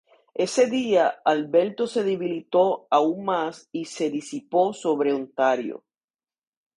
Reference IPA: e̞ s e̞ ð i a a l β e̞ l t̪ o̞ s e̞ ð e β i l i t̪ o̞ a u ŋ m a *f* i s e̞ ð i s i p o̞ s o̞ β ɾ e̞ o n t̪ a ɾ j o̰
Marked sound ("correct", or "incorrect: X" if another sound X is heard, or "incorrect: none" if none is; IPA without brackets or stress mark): incorrect: s